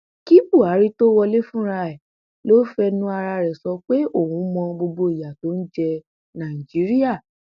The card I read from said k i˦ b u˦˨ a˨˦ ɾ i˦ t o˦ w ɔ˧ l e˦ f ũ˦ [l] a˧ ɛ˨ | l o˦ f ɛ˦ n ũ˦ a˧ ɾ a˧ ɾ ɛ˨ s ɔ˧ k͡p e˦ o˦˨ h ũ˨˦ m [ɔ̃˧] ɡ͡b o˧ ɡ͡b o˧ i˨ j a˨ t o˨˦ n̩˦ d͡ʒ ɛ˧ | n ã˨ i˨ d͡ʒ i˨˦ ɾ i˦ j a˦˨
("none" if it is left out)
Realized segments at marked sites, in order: ɾ, ɔ̃˧

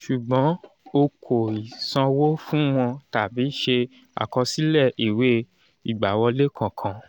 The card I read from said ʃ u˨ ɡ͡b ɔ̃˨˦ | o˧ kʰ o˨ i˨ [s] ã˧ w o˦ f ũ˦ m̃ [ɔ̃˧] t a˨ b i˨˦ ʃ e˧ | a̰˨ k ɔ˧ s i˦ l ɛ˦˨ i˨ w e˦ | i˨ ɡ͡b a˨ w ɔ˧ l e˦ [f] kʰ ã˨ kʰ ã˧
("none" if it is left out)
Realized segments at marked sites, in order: s, ɔ̃˧, none

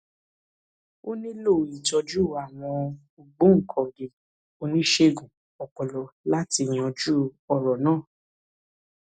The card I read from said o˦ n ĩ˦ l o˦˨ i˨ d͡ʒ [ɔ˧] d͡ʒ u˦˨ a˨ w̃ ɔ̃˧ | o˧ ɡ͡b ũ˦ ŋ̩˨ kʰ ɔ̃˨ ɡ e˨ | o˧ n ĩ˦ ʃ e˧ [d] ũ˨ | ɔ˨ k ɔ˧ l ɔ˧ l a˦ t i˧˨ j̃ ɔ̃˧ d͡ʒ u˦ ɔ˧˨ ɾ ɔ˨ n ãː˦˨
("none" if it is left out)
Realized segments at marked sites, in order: ɔ˧, ɡ

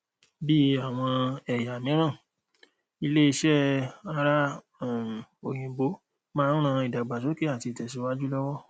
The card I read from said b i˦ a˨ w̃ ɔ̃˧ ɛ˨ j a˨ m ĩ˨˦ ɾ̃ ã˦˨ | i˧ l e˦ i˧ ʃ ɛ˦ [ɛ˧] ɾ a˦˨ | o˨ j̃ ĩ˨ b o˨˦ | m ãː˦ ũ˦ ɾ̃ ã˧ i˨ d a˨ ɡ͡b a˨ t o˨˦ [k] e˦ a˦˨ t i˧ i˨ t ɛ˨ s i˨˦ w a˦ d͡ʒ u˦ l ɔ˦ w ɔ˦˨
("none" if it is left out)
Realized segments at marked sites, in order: a˧, k

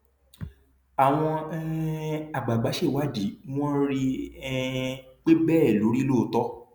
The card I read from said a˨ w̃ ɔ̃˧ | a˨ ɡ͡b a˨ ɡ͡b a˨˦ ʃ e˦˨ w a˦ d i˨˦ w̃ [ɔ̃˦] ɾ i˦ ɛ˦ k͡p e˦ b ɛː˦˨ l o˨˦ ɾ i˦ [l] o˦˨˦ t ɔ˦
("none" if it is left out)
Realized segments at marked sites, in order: ɔ̃˦, l

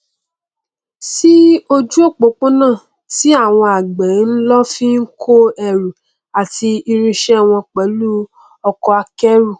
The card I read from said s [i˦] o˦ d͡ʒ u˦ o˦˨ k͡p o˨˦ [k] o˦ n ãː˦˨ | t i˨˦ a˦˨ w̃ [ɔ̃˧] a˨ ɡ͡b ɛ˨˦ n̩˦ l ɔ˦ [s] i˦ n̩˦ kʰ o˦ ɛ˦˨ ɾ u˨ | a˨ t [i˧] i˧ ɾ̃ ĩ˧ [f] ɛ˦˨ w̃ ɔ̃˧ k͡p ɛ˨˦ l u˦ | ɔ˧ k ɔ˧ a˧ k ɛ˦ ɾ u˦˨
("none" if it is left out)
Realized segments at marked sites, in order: i˦, k͡p, ɔ̃˧, f, i˧, ʃ

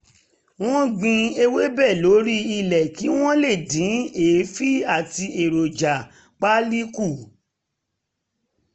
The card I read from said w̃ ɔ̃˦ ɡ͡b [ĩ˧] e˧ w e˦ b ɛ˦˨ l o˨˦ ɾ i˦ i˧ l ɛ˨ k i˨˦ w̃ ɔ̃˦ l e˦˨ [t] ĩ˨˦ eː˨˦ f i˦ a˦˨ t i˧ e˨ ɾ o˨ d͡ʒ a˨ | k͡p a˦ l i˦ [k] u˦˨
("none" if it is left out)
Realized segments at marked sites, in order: ĩ˧, d, k

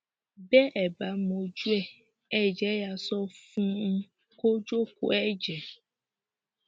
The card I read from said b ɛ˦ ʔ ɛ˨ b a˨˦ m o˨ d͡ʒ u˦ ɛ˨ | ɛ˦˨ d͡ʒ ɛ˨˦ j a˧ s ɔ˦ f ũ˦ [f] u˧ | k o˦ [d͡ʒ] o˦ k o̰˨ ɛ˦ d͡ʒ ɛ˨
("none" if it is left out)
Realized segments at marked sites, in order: none, d͡ʒ

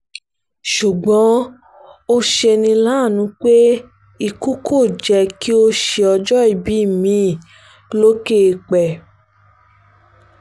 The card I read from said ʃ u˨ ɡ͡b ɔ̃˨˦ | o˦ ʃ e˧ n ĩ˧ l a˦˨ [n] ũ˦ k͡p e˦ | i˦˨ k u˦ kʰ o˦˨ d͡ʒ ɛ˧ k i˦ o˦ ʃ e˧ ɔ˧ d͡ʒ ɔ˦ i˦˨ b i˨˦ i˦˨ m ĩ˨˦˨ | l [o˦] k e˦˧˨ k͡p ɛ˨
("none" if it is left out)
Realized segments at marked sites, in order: n, o˦

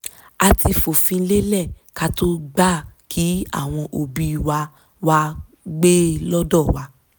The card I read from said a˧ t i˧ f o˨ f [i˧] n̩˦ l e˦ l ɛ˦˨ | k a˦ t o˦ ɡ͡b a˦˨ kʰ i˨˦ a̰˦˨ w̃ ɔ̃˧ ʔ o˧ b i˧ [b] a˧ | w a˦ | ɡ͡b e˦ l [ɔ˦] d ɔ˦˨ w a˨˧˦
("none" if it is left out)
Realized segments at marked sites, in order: ĩ˧, w, ɔ˦

